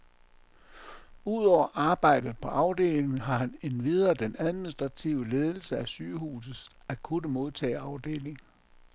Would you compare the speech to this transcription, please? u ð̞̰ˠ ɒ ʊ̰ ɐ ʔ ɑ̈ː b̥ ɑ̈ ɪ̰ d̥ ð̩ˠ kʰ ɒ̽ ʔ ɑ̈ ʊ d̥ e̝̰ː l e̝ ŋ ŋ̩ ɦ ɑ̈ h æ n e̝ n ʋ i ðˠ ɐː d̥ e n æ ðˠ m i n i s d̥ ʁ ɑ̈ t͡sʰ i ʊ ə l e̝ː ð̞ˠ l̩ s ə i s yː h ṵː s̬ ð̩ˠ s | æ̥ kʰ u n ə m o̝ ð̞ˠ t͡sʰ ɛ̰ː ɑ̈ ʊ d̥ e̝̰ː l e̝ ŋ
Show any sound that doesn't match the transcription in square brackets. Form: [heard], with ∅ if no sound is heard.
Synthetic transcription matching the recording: u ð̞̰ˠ ɒ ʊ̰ ɐ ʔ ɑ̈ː b̥ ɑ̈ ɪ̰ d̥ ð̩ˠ [pʰ] ɒ̽ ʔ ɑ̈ ʊ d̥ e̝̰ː l e̝ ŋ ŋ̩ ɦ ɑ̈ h æ n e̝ n ʋ i ðˠ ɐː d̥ e n æ ðˠ m i n i s d̥ ʁ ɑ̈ t͡sʰ i ʊ ə l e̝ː ð̞ˠ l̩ s ə [æ] s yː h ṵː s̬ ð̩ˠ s | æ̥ kʰ u n ə m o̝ ð̞ˠ t͡sʰ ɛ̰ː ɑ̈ ʊ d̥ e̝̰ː l e̝ ŋ

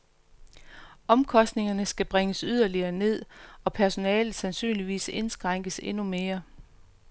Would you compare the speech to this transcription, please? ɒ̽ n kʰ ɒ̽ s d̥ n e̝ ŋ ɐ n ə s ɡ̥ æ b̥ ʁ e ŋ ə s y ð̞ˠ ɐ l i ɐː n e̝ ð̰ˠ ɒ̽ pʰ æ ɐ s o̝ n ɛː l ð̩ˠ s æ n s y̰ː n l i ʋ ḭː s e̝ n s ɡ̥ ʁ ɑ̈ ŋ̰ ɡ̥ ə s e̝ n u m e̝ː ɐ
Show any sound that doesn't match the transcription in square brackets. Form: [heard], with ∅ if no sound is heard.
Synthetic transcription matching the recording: ɒ̽ [m] kʰ ɒ̽ s d̥ n e̝ ŋ ɐ n ə s ɡ̥ æ b̥ ʁ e ŋ ə s y ð̞ˠ ɐ l i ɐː n e̝ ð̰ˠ ɒ̽ pʰ æ ɐ s o̝ n ɛː l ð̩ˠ s æ n s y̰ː n l i ʋ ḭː s e̝ n s ɡ̥ ʁ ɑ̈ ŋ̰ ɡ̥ ə s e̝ n u m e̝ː ɐ

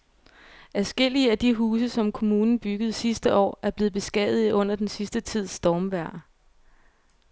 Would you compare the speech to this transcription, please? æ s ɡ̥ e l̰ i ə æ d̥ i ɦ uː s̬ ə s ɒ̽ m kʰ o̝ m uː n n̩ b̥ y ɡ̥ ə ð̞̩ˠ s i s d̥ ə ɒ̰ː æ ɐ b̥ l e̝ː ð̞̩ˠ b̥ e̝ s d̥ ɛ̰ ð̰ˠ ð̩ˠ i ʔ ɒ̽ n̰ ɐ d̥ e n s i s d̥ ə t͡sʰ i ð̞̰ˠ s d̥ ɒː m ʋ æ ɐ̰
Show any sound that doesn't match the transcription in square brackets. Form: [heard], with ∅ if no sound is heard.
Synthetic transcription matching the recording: æ s ɡ̥ e l̰ i ə æ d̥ i ɦ uː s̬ ə s ɒ̽ m kʰ o̝ m uː n n̩ b̥ y ɡ̥ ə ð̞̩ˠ s i s d̥ ə ɒ̰ː æ ɐ b̥ l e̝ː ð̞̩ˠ b̥ e̝ s [ɡ̥] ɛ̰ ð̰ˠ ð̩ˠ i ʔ [ɔ̽] n̰ ɐ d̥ e n s i s d̥ ə t͡sʰ i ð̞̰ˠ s d̥ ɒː m ʋ æ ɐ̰

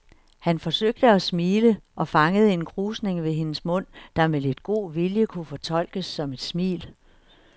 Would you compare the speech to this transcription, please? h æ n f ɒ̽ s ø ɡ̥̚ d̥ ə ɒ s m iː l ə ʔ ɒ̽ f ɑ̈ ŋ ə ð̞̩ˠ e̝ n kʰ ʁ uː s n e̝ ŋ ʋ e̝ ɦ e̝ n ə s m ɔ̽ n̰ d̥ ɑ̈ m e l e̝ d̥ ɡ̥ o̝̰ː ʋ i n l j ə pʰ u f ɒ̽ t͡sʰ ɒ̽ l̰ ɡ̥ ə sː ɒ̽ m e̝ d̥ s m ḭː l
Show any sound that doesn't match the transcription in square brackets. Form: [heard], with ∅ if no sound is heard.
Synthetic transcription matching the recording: h æ n f ɒ̽ s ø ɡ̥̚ d̥ ə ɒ s m iː l ə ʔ ɒ̽ f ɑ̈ ŋ ə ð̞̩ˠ e̝ n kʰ ʁ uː s n e̝ ŋ ʋ e̝ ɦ e̝ n ə s m ɔ̽ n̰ d̥ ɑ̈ m e l e̝ d̥ ɡ̥ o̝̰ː ʋ i [∅] l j ə [kʰ] u f ɒ̽ t͡sʰ ɒ̽ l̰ ɡ̥ ə sː ɒ̽ m e̝ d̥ s m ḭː l

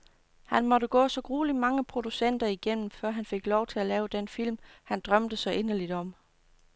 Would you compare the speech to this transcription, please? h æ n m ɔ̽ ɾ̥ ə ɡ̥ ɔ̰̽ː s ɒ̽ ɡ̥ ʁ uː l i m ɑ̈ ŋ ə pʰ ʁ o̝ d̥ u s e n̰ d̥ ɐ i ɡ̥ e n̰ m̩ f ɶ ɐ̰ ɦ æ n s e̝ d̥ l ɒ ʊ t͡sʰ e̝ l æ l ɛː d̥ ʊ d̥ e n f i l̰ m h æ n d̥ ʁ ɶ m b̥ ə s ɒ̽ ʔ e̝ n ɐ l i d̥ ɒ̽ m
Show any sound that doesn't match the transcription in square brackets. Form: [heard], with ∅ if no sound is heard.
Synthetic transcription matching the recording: h æ n m [ɒ̽] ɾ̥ ə ɡ̥ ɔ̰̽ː s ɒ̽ ɡ̥ ʁ uː l i m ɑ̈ ŋ ə pʰ ʁ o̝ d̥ u s e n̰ d̥ ɐ i ɡ̥ e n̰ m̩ f ɶ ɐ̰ ɦ æ n [f] e̝ [ɡ̥] l ɒ ʊ t͡sʰ e̝ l æ l ɛː [∅] ʊ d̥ e n f i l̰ m h æ n d̥ ʁ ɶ m [d̥] ə s ɒ̽ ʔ e̝ n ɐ l i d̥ ɒ̽ m

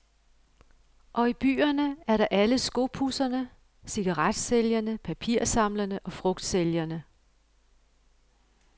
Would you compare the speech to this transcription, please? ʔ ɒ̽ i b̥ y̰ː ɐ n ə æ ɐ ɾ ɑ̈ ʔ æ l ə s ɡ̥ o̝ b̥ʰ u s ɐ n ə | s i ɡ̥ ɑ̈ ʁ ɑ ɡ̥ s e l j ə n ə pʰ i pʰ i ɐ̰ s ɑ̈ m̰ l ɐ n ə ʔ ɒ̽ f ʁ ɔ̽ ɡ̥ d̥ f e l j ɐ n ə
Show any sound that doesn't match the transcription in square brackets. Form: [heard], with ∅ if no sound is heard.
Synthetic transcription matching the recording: ʔ ɒ̽ i b̥ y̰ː ɐ n ə æ ɐ ɾ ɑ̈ ʔ æ l ə s ɡ̥ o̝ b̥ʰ u s ɐ n ə | s i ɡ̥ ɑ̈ ʁ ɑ [d̥] s e l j [ɐ] n ə pʰ [æ] pʰ i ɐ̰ s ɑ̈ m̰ l ɐ n ə ʔ ɒ̽ f ʁ ɔ̽ ɡ̥ d̥ [s] e l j ɐ n ə

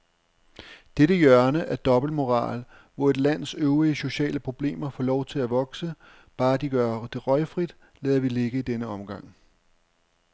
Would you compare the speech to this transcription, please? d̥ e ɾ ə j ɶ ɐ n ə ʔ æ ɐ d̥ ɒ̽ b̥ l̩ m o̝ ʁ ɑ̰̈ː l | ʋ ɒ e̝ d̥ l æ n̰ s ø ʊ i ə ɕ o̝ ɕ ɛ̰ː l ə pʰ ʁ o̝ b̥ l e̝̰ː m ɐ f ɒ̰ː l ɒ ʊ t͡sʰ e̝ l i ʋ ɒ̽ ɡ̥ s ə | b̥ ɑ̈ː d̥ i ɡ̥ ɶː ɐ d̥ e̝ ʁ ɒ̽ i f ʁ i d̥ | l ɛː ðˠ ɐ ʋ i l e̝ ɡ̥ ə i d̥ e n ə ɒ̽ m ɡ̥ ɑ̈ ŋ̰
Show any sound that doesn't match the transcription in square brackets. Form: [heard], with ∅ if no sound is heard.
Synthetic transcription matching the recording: d̥ e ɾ ə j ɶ ɐ n ə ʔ æ ɐ d̥ ɒ̽ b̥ l̩ m o̝ ʁ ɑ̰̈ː l | ʋ ɒ e̝ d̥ l æ n̰ s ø ʊ i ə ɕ o̝ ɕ ɛ̰ː l ə pʰ ʁ o̝ b̥ l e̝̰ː m ɐ f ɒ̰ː l ɒ ʊ t͡sʰ e̝ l [æ] ʋ ɒ̽ ɡ̥ s ə | b̥ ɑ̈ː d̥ i ɡ̥ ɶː ɐ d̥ e̝ ʁ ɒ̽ [ɪ] f ʁ i d̥ | l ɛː ðˠ ɐ ʋ i l e̝ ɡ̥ ə i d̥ e n ə ɒ̽ m ɡ̥ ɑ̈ ŋ̰

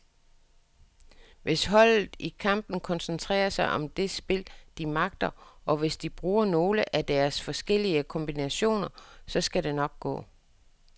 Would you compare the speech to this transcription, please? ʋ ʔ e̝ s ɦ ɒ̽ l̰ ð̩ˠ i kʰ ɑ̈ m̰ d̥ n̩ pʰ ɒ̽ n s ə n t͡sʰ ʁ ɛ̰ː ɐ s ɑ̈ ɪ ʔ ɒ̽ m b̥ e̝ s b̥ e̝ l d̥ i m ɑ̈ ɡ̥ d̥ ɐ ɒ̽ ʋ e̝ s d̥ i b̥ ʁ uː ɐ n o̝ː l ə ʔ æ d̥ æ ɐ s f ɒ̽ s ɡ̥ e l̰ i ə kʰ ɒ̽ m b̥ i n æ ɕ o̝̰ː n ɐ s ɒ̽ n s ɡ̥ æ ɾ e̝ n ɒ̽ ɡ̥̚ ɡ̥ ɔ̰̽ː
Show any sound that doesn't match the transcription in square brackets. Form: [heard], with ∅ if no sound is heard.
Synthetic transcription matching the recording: ʋ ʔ e̝ s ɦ ɒ̽ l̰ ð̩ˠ i kʰ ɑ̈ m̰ [b̥] n̩ [kʰ] ɒ̽ n s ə n t͡sʰ ʁ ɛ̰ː ɐ s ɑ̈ ɪ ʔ ɒ̽ m [d̥] e̝ s b̥ e̝ l d̥ i m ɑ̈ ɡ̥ d̥ ɐ ɒ̽ ʋ e̝ s d̥ i b̥ ʁ uː ɐ n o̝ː l ə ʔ æ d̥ æ ɐ s f ɒ̽ s ɡ̥ e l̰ i ə kʰ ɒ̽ m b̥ i n æ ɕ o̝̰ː n ɐ s ɒ̽ [∅] s ɡ̥ æ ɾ e̝ n ɒ̽ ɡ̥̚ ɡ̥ ɔ̰̽ː

